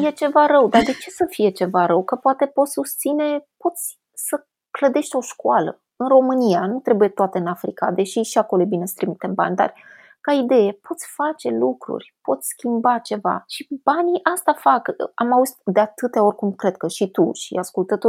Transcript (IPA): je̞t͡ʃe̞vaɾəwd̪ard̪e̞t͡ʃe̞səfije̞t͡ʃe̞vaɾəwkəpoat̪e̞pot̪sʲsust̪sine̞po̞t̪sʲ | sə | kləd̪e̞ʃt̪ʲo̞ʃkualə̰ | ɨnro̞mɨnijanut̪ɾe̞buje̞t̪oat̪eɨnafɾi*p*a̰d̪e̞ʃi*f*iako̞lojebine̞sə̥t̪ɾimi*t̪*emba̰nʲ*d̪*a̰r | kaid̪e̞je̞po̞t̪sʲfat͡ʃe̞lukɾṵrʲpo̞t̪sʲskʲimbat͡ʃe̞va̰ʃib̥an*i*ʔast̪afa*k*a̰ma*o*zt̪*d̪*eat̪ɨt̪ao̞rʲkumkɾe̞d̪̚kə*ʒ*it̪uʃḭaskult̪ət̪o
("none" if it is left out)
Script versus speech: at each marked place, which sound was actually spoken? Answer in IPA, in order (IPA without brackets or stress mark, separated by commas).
k, ʃ, t̪, d̪, i, k, u, d̪, ʃ